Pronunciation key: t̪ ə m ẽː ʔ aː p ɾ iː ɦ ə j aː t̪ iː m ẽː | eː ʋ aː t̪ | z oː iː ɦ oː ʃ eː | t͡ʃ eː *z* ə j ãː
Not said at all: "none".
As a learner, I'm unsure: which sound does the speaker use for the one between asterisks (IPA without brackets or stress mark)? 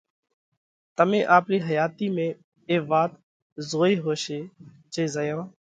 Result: z